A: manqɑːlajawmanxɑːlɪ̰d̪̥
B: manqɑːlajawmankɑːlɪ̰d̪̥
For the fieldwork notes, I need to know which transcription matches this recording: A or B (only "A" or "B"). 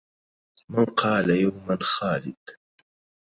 A